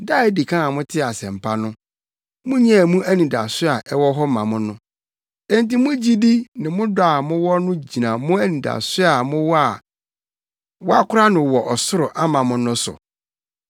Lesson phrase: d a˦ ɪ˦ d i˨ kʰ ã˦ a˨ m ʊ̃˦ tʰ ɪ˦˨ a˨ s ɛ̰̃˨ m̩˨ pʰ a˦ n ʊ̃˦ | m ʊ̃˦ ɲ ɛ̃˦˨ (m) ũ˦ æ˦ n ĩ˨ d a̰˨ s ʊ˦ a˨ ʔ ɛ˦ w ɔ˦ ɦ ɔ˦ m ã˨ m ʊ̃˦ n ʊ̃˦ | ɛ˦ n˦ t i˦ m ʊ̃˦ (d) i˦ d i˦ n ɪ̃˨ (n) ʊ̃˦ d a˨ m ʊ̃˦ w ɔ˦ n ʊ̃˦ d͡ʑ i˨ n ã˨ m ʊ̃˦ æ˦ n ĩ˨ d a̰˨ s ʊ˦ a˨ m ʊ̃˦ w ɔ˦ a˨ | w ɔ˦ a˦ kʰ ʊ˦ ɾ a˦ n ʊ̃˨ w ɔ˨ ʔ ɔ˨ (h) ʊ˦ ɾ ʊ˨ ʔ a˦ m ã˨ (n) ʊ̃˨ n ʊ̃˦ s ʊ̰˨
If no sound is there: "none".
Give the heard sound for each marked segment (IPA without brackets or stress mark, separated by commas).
m, d͡ʑ, m, s, m